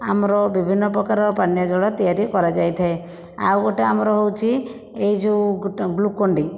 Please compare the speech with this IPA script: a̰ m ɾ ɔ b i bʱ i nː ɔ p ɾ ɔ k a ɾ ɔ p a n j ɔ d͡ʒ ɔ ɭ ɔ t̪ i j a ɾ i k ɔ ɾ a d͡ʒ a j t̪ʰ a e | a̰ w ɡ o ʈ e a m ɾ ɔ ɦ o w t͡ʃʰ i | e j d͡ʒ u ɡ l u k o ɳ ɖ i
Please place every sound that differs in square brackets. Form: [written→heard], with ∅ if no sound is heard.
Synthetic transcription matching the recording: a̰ m ɾ ɔ b i bʱ i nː ɔ p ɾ ɔ k a ɾ ɔ p a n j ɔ d͡ʒ ɔ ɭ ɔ t̪ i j a ɾ i k ɔ ɾ a d͡ʒ a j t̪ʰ a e | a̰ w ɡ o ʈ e a m ɾ ɔ ɦ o w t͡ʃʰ i | e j d͡ʒ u ɡ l u k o ɳ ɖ i